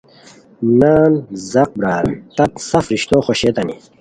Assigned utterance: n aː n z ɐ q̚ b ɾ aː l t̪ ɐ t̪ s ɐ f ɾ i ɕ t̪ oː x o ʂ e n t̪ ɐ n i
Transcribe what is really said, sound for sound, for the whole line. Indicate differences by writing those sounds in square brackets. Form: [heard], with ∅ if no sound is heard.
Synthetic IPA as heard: n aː n z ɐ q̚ b ɾ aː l t̪ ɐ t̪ s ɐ f ɾ i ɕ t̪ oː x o [ɕ] e [∅] t̪ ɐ n i